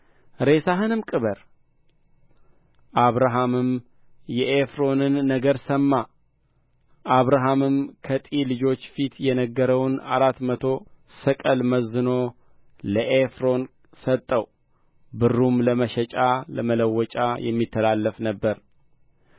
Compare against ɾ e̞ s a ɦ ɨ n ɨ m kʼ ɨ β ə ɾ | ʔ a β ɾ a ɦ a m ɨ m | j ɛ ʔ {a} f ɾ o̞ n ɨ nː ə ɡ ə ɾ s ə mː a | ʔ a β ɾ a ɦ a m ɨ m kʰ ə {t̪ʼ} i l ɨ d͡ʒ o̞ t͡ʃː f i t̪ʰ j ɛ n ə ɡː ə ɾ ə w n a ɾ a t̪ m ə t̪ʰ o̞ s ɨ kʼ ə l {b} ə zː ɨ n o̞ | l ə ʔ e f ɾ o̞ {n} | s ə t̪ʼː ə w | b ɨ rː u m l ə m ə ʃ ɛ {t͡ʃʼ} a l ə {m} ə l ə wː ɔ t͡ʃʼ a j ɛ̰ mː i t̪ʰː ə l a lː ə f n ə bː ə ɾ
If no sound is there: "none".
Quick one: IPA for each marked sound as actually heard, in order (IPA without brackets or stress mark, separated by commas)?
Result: e, t̪ʼ, m, n, t͡ʃʼ, m